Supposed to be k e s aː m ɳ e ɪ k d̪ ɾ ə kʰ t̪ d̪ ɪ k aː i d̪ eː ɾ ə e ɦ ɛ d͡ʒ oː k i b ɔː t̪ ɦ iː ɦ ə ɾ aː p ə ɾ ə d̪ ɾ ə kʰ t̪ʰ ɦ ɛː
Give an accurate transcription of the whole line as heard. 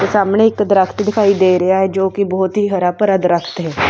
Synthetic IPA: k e s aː m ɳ e ɪ k d̪ ɾ ə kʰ t̪ d̪ ɪ kʰ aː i d̪ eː ɾ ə a ɦ ɛ d͡ʒ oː k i b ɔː t̪ ɦ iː ɦ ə ɾ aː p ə ɾ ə d̪ ɾ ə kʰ t̪ ɦ ɛː